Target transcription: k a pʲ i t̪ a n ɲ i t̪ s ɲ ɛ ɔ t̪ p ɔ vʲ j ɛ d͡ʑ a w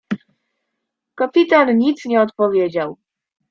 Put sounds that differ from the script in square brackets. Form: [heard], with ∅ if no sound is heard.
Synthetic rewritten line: k a pʲ i t̪ a n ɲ i t̪ s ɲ ɛ ɔ t̪ p ɔ vʲ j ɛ d͡ʑ a w